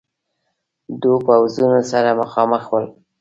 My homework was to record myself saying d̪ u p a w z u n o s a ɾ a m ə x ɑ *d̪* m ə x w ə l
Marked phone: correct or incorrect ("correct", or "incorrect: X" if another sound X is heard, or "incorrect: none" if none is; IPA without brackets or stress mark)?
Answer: incorrect: none